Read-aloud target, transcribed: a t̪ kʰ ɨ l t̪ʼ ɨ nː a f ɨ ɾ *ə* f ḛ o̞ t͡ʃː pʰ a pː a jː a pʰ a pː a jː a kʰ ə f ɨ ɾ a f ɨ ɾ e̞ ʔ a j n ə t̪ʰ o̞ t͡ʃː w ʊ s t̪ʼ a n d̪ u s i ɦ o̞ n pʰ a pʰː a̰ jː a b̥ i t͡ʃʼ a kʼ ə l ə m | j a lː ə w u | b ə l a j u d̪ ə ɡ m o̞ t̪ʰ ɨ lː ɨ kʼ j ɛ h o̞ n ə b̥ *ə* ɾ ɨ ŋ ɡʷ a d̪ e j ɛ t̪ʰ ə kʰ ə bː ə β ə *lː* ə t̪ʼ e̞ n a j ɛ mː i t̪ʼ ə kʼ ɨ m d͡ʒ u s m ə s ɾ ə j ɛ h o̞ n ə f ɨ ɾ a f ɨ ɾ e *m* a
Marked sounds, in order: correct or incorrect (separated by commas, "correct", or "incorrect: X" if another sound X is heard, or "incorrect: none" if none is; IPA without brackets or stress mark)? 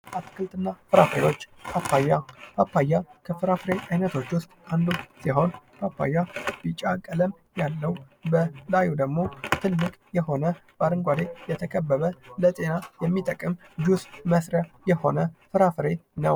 incorrect: a, incorrect: a, incorrect: l, incorrect: n